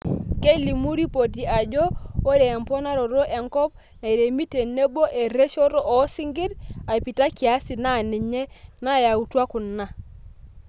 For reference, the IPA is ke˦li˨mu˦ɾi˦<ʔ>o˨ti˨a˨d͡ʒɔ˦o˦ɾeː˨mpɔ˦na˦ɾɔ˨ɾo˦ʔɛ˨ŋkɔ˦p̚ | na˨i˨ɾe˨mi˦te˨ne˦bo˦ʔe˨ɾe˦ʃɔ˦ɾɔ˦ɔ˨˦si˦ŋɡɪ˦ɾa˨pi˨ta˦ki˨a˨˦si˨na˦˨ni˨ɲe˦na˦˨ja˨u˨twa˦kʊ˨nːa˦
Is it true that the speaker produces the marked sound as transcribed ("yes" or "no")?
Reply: no